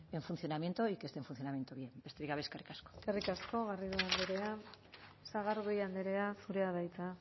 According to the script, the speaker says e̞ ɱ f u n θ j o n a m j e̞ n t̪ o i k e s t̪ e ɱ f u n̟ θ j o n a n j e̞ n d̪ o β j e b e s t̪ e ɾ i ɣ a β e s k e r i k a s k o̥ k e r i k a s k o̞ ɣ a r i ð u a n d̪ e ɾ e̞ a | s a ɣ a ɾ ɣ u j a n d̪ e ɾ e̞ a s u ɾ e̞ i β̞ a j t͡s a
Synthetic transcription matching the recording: e̞ ɱ f u n θ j o n a m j e̞ n t̪ o i k e s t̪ e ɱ f u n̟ θ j o n a m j e̞ n t̪ o β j e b e s t̪ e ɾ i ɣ a β e s k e r i k a s k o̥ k e r i k a s k o̞ ɣ a r i ð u a n d̪ e ɾ e̞ a | s a ɣ a ɾ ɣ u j a n d̪ e ɾ e̞ a s u ɾ e̞ a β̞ a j t͡s a

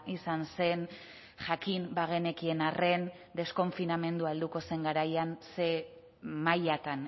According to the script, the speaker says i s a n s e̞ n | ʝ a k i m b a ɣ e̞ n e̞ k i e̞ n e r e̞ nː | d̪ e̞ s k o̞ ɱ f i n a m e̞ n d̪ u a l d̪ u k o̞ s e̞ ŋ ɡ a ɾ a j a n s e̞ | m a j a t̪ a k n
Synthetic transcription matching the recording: i s a n s e̞ n | ʝ a k i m b a ɣ e̞ n e̞ k i e̞ n a r e̞ n | d̪ e̞ s k o̞ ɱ f i n a m e̞ n d̪ u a l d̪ u k o̞ s e̞ ŋ ɡ a ɾ a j a n s e̞ | m a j a t̪ a n

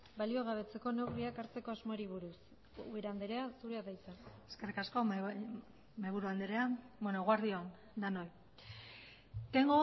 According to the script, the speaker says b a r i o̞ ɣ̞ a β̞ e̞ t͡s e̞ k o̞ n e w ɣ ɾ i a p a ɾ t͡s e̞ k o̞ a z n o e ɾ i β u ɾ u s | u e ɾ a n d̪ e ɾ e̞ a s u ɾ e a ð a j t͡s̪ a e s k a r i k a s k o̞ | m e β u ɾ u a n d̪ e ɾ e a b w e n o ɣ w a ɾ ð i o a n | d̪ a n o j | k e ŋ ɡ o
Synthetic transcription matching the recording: b a l i o̞ ɣ̞ a β̞ e̞ t͡s e̞ k o̞ n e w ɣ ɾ i a k a ɾ t͡s e̞ k o̞ a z m o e ɾ i β u ɾ u s | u e ɾ a n d̪ e ɾ e̞ a s u ɾ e a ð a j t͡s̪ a e s k e r i k a s k o̞ | m e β u ɾ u a n d̪ e ɾ e a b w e n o ɣ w a ɾ ð i o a n | d̪ a n o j | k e ŋ ɡ o

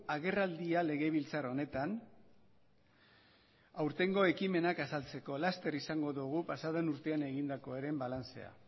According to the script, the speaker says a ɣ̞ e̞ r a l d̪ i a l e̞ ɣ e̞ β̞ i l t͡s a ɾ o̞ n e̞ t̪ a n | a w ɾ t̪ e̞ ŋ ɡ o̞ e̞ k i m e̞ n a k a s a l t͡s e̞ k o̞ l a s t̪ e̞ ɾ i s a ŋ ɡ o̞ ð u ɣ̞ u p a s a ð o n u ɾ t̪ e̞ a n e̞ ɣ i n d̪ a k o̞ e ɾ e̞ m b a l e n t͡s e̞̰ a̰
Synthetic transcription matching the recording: a ɣ̞ e̞ r a l d̪ i a l e̞ ɣ e̞ β̞ i l t͡s a ɾ o̞ n e̞ t̪ a n | a w ɾ t̪ e̞ ŋ ɡ o̞ e̞ k i m e̞ n a k a s a l t͡s e̞ k o̞ l a s t̪ e̞ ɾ i s a ŋ ɡ o̞ ð u ɣ̞ u p a s a ð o n u ɾ t̪ e̞ a n e̞ ɣ i n d̪ a k o̞ e ɾ e̞ m b a l a n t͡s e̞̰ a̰

